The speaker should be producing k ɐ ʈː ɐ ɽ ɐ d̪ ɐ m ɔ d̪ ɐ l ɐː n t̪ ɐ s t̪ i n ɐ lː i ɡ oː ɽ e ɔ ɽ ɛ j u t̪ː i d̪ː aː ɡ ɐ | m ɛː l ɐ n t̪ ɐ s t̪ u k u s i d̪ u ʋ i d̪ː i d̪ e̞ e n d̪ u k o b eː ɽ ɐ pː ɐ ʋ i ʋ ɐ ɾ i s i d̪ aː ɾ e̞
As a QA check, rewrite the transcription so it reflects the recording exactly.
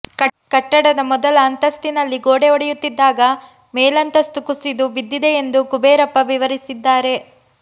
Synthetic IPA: k ɐ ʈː ɐ ɽ ɐ d̪ ɐ m ɔ d̪ ɐ l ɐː n t̪ ɐ s t̪ i n ɐ lː i ɡ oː ɽ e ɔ ɽ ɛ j u t̪ː i d̪ː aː ɡ ɐ | m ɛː l ɐ n t̪ ɐ s t̪ u k u s i d̪ u ʋ i d̪ː i d̪ e̞ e n d̪ u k u b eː ɾ ɐ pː ɐ ʋ i ʋ ɐ ɾ i s i d̪ː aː ɾ e̞